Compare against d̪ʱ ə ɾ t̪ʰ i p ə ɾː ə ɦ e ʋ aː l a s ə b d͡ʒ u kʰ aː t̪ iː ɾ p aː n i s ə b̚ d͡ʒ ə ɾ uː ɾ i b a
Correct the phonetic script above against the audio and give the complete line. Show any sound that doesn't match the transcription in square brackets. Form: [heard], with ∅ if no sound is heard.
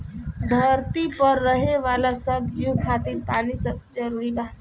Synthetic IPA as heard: d̪ʱ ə ɾ [t̪] i p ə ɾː ə ɦ e ʋ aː l a s ə b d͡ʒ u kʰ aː t̪ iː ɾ p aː n i s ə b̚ d͡ʒ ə ɾ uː ɾ i b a